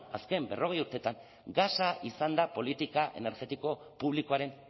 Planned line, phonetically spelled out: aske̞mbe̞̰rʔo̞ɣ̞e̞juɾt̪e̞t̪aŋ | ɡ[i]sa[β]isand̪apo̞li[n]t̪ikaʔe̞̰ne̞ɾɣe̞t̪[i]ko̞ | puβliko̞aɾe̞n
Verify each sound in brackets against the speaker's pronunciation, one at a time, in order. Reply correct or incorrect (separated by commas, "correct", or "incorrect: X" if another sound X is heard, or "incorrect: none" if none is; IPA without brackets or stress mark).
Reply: incorrect: a, incorrect: none, incorrect: none, correct